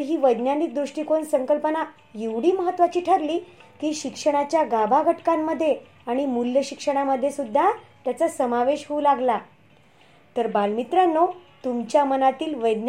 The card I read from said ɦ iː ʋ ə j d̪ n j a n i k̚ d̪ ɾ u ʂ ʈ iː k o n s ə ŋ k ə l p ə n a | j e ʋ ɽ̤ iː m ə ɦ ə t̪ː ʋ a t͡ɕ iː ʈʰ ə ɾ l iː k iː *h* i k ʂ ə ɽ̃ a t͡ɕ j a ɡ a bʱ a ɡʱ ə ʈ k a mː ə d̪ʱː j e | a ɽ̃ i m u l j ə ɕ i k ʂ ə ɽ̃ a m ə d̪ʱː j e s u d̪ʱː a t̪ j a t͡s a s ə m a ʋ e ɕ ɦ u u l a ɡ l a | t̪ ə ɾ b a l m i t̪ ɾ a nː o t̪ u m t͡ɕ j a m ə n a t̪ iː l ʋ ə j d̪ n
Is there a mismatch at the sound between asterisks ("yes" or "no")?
yes